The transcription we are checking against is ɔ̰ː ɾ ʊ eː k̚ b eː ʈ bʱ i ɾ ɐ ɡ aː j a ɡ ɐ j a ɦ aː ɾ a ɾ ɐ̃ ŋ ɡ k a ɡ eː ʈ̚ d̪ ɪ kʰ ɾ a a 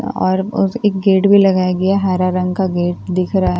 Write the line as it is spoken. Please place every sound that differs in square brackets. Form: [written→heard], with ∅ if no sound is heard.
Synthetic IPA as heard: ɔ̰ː ɾ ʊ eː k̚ [b→ɡ] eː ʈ bʱ i [ɾ→l] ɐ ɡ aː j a ɡ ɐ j a ɦ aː ɾ a ɾ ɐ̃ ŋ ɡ k a ɡ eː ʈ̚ d̪ ɪ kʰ ɾ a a